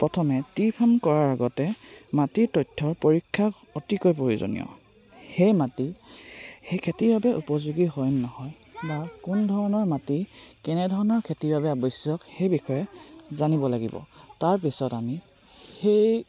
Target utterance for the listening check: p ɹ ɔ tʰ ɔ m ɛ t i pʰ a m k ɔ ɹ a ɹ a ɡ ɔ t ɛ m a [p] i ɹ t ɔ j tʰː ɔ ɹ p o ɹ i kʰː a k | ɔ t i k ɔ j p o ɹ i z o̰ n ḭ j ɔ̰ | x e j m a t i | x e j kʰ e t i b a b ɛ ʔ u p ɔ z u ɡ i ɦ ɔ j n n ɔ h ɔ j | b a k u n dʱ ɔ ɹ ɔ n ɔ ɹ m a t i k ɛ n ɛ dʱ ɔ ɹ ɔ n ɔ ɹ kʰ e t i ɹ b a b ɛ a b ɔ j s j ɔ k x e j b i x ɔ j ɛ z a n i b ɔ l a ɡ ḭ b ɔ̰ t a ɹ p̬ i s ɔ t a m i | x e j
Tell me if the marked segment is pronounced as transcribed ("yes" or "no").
no